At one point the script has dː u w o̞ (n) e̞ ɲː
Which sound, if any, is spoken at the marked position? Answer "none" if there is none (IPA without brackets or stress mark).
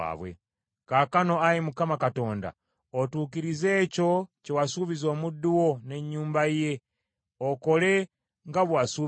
n